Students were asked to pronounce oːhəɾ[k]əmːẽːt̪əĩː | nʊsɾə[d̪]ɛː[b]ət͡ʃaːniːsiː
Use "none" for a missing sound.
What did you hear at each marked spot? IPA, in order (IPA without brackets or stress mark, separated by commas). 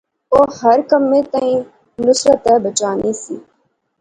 k, t̪, b